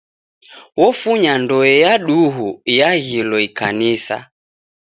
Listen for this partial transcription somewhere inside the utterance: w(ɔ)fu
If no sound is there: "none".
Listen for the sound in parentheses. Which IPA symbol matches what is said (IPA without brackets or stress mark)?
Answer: ɔ